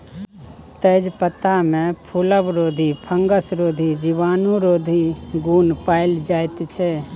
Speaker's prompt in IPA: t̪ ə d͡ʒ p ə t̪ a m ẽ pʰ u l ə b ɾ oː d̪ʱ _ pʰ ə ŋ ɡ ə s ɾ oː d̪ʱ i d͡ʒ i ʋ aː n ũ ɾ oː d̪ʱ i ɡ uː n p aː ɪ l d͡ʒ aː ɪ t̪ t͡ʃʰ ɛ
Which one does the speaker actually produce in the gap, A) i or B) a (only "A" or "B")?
A